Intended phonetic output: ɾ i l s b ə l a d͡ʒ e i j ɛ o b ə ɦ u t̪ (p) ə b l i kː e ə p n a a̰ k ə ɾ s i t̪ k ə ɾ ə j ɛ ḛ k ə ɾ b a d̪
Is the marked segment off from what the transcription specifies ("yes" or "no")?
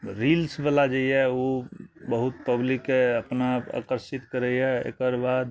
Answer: no